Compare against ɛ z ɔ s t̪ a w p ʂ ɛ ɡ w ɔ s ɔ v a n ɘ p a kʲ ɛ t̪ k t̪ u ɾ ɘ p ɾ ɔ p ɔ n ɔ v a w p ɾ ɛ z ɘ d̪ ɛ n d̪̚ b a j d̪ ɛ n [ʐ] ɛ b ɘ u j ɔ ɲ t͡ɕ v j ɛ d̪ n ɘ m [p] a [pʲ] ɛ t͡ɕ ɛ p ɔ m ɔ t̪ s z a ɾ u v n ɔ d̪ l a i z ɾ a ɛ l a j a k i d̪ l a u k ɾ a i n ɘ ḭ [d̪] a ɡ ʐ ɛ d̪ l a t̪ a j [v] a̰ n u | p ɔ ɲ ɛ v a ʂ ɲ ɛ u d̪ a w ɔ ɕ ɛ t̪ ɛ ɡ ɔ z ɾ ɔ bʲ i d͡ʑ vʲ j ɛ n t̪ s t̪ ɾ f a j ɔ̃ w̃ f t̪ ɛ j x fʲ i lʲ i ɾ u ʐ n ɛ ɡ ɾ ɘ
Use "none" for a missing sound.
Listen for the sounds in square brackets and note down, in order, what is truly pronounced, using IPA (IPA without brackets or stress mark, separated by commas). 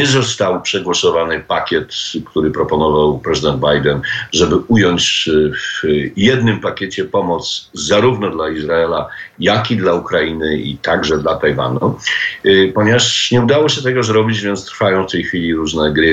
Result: ʐ, p, kʲ, t̪, v